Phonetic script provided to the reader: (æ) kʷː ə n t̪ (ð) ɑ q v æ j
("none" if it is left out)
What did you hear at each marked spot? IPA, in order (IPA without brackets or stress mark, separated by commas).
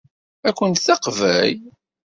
æ, θ